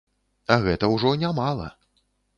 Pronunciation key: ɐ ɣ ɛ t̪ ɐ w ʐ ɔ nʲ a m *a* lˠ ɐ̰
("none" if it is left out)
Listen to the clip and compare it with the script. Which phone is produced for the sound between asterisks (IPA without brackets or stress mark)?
a